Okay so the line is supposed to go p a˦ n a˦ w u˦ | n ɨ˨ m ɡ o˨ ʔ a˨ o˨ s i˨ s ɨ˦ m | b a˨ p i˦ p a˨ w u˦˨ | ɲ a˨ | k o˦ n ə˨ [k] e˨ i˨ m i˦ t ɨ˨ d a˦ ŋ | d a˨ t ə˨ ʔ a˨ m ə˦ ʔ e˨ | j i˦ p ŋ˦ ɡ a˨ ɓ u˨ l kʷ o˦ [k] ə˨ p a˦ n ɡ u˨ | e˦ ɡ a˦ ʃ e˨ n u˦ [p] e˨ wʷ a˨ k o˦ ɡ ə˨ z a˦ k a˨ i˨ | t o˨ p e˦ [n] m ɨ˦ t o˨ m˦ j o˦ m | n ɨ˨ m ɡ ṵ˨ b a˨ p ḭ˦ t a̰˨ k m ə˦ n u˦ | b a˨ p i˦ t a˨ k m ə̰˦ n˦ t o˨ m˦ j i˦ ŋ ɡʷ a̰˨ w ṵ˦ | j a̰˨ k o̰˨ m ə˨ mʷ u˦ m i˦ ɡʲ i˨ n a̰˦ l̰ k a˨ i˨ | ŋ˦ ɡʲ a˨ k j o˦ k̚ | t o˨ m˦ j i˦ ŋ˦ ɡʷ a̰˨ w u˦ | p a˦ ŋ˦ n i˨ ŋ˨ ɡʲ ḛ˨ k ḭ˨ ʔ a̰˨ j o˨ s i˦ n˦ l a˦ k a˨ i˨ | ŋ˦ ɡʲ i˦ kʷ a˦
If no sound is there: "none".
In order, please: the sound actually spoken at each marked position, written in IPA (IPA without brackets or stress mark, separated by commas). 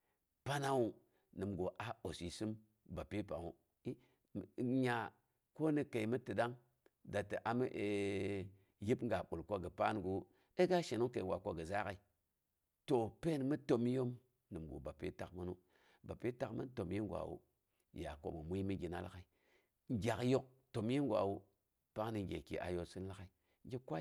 k, ɡ, k, n